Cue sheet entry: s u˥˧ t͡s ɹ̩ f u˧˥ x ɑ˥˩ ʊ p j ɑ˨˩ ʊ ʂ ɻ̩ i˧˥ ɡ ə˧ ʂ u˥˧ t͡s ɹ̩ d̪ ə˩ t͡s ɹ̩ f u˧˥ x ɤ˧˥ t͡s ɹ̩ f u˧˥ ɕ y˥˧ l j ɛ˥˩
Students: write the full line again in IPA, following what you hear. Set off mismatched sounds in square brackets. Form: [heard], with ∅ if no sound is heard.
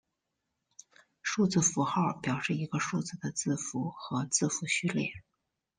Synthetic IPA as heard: [ʂ] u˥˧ t͡s ɹ̩ f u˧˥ x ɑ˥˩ ʊ p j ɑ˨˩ ʊ ʂ ɻ̩ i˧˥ ɡ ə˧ ʂ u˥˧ t͡s ɹ̩ d̪ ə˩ t͡s ɹ̩ f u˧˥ x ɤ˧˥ t͡s ɹ̩ f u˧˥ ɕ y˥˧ l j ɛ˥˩